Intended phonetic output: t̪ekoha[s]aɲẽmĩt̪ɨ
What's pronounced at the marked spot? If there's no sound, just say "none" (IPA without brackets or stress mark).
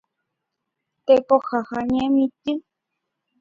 h